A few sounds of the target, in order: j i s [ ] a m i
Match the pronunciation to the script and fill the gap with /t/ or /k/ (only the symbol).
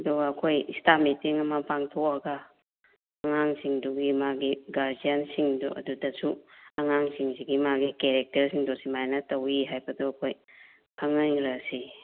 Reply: t